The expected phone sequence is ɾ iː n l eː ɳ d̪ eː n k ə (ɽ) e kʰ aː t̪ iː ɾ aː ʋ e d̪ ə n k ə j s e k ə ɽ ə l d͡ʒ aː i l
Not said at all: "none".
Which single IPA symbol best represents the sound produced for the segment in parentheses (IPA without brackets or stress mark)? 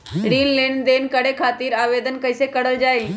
ɽ